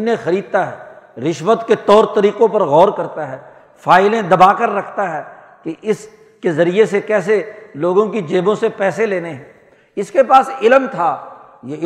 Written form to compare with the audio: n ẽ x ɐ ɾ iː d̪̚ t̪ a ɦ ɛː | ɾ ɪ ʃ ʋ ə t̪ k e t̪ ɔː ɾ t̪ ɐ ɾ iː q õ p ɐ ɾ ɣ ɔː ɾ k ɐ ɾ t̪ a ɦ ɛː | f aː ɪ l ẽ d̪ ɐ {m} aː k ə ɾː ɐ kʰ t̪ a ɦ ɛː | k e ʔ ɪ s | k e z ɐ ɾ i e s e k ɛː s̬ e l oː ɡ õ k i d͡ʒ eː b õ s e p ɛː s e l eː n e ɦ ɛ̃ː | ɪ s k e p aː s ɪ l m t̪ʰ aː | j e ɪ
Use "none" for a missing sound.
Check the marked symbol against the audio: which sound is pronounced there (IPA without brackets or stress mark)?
b